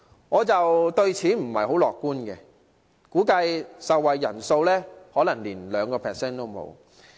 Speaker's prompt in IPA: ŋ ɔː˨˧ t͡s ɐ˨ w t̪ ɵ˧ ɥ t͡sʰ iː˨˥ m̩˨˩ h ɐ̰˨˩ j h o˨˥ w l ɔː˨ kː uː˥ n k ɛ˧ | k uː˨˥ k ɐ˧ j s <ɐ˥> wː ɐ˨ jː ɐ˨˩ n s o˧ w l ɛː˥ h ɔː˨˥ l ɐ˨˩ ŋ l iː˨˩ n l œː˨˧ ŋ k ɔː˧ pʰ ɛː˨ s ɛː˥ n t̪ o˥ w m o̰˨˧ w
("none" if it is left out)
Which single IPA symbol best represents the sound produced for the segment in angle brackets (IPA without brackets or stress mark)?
ɐ˨